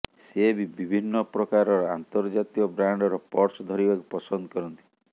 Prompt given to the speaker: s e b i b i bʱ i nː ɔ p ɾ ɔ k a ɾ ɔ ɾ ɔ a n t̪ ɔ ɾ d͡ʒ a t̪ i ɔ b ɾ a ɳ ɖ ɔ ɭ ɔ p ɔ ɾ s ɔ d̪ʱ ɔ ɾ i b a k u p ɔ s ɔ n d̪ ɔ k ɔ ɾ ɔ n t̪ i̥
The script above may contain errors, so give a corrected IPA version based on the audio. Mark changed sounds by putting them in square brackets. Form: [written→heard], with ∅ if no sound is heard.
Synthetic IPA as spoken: s e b i b i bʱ i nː ɔ p ɾ ɔ k a ɾ ɔ ɾ ɔ a n t̪ ɔ ɾ d͡ʒ a t̪ i ɔ b ɾ a ɳ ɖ ɔ [ɭ→ɾ] ɔ p ɔ ɾ s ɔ d̪ʱ ɔ ɾ i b a k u p ɔ s ɔ n d̪ ɔ k ɔ ɾ ɔ n t̪ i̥